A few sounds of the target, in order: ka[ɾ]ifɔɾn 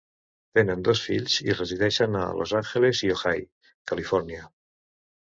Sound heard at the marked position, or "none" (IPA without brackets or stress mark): l